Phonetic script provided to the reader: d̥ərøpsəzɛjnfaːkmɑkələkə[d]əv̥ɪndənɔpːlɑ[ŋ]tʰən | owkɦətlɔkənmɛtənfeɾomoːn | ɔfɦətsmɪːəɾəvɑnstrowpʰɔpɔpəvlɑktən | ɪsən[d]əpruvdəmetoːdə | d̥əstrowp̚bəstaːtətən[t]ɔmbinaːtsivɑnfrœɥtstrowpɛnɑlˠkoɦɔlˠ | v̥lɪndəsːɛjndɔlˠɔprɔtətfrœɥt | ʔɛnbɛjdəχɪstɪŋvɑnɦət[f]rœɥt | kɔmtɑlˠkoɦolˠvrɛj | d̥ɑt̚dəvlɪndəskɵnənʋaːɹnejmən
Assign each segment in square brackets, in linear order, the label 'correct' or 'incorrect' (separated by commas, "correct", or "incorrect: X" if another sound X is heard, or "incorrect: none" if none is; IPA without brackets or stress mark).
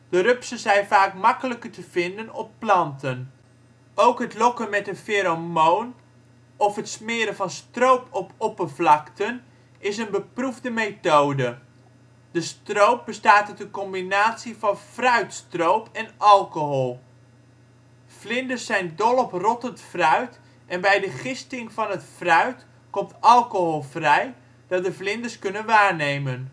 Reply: incorrect: t, incorrect: n, incorrect: b, incorrect: k, correct